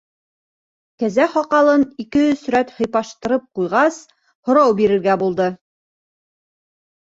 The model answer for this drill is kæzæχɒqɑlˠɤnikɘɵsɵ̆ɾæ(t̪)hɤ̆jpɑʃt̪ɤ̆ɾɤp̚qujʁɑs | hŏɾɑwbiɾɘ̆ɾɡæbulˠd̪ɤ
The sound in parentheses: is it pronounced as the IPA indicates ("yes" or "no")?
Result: yes